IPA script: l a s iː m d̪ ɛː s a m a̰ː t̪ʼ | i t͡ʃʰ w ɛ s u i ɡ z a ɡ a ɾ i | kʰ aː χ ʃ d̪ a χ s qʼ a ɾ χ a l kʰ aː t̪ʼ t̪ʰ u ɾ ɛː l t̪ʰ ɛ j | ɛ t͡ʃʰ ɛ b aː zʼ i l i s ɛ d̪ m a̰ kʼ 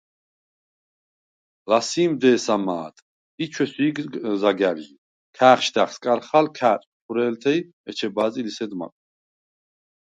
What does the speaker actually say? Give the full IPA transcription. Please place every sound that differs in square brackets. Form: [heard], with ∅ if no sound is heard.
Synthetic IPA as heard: l a s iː m d̪ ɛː s a m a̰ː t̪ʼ | i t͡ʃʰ w ɛ s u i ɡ z a ɡ a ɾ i | kʰ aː χ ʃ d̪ a χ s [kʼ] a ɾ χ a l kʰ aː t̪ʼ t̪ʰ u ɾ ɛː l t̪ʰ ɛ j | ɛ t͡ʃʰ ɛ b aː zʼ i l i s ɛ d̪ m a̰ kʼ